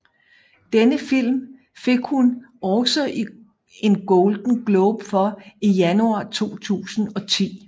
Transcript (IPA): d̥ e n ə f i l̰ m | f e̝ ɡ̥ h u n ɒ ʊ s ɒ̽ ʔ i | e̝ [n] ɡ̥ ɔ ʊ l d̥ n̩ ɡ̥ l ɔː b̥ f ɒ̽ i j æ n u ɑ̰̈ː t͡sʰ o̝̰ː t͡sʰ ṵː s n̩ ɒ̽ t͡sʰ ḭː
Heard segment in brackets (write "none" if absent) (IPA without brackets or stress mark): n